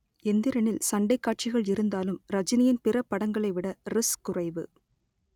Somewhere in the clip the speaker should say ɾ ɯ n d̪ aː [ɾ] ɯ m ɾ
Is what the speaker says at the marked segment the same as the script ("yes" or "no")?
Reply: no